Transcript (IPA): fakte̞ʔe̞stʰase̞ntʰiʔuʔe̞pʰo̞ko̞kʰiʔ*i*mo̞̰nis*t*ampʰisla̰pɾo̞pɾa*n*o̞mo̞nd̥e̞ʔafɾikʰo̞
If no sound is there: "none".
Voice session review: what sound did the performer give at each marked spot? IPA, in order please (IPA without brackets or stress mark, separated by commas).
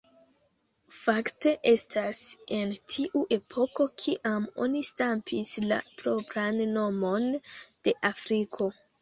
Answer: a, t, nː